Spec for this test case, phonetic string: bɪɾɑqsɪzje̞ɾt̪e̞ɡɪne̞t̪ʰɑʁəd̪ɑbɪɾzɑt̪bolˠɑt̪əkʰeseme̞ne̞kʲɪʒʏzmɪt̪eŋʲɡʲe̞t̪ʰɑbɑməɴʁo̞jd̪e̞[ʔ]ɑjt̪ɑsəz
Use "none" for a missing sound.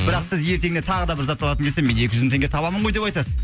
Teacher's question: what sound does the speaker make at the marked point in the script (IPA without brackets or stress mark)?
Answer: p